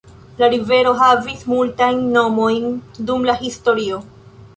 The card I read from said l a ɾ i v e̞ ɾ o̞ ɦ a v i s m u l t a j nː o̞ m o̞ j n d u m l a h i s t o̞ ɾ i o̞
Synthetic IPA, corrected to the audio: l a ɾ i v e̞ ɾ o̞ ɦ a v i s m u l t a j nː o̞ m o̞ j n d u m l a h i s t o̞ ɾ i o̞